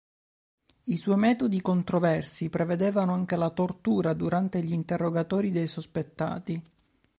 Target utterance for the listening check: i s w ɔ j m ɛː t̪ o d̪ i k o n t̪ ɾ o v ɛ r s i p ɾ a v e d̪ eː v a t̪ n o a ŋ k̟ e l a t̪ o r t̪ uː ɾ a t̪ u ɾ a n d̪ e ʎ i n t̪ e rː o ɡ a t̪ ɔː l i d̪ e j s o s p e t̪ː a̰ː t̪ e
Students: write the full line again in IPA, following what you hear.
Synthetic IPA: i s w ɔ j m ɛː t̪ o d̪ i k o n t̪ ɾ o v ɛ r s i p ɾ e v e d̪ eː v a n o a ŋ k̟ e l a t̪ o r t̪ uː ɾ a d̪ u ɾ a n t̪ e ʎ i n t̪ e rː o ɡ a t̪ ɔː ɾ i d̪ e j s o s p e t̪ː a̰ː t̪ i